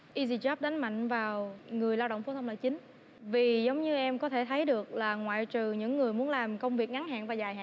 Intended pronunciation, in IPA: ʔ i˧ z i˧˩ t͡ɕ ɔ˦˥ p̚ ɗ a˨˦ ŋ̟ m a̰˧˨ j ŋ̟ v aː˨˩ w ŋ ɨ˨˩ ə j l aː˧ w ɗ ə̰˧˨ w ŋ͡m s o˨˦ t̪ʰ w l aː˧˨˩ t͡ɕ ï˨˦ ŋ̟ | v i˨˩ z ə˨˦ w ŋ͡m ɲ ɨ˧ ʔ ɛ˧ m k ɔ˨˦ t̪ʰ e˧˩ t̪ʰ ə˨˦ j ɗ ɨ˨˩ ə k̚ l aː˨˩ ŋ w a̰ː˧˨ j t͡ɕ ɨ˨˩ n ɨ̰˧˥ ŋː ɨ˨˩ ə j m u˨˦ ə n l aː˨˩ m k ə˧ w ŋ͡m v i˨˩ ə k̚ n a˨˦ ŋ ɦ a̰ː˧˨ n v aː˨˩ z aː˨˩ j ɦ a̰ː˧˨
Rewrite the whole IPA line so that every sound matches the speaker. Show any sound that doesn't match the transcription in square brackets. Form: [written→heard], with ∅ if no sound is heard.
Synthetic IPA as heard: ʔ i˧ z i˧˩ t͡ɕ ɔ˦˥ p̚ ɗ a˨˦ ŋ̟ m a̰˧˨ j ŋ̟ v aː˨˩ w ŋ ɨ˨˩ ə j l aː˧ w ɗ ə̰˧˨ w ŋ͡m [s→f] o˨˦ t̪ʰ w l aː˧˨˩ t͡ɕ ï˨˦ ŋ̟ | v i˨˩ z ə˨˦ w ŋ͡m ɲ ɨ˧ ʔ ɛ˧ m k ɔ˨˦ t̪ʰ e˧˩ t̪ʰ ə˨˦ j ɗ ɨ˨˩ ə k̚ l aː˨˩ ŋ w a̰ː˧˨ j t͡ɕ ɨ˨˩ [n→ɲ] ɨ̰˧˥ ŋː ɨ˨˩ ə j m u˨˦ ə n l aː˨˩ m k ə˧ w ŋ͡m v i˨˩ ə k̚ [n→ŋ] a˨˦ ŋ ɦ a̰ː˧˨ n v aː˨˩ z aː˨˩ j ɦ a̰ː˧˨